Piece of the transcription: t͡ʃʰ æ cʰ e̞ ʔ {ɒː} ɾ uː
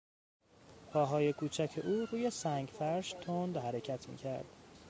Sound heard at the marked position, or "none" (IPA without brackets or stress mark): uː